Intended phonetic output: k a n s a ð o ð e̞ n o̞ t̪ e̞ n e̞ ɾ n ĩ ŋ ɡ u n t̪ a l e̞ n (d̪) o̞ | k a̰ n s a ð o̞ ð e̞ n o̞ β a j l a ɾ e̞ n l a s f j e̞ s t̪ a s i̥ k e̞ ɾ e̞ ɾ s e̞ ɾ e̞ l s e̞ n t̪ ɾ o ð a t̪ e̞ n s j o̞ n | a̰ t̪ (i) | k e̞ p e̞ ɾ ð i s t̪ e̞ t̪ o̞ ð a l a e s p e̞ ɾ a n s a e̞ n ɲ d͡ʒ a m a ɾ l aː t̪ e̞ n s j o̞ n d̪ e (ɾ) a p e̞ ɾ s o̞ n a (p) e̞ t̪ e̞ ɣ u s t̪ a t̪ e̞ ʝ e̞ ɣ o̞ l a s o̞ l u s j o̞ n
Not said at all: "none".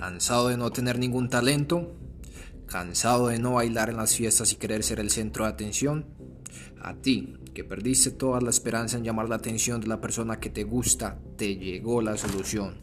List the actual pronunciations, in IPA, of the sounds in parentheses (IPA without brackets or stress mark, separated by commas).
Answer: t̪, i, l, k